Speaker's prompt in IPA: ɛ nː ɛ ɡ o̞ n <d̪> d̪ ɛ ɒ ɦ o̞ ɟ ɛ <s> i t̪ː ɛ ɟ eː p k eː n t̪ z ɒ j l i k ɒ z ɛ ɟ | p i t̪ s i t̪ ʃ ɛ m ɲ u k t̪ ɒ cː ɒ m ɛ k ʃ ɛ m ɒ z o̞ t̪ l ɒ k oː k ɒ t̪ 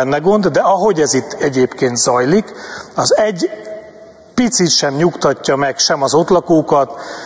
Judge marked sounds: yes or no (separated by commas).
yes, no